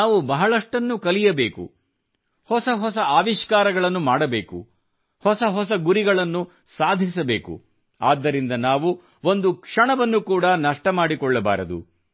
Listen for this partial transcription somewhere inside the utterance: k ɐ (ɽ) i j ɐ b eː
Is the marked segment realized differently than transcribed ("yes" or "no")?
yes